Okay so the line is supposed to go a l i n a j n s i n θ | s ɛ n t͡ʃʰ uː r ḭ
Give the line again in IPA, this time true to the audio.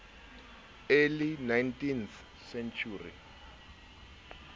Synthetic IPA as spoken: e l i n a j n t i n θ | s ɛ n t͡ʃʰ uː r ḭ